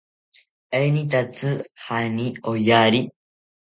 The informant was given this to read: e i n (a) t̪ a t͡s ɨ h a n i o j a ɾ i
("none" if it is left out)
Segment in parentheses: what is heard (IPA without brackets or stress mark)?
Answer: i